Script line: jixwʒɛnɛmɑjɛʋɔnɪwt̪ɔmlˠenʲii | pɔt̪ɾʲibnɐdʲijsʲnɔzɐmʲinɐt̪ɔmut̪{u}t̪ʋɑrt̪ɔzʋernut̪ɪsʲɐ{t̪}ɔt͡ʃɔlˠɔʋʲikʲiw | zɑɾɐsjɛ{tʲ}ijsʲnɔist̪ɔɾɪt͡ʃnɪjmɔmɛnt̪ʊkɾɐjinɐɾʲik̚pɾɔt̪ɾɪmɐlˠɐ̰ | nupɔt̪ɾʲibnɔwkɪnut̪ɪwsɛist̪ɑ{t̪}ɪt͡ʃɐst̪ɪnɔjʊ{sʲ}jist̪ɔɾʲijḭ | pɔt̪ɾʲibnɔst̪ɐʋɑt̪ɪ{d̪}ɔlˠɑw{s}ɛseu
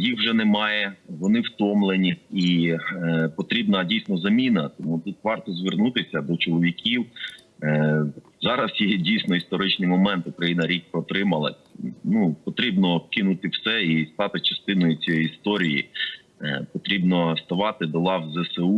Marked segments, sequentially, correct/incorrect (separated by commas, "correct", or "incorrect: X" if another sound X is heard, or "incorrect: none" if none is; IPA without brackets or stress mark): correct, incorrect: d̪, incorrect: dʲ, correct, incorrect: t͡sʲ, correct, incorrect: z